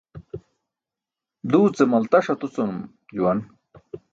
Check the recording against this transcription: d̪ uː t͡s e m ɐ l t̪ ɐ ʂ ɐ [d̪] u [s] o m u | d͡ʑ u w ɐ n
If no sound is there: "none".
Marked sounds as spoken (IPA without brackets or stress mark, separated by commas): t̪, t͡s